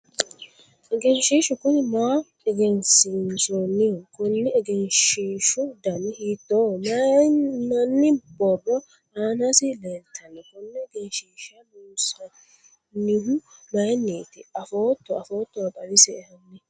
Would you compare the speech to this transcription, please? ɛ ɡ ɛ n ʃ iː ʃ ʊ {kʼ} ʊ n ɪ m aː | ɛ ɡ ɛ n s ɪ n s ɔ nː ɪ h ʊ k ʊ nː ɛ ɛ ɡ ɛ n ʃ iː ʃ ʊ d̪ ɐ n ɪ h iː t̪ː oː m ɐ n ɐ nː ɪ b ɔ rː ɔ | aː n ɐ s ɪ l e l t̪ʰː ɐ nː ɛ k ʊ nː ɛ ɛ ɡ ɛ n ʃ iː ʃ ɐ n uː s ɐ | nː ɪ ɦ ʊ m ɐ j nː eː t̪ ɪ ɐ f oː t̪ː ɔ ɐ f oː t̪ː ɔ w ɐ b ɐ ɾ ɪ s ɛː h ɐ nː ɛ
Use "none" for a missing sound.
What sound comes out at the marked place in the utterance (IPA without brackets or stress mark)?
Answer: k